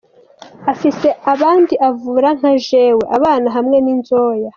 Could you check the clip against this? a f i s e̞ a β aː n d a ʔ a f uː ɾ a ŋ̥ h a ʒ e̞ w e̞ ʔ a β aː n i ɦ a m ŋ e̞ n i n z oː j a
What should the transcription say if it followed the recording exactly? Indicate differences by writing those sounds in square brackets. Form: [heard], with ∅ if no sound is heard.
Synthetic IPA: a f i s e̞ a β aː n d [i] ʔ a [v] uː ɾ a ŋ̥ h a ʒ e̞ w e̞ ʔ a β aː n [a] ɦ a m ŋ e̞ n i n z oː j a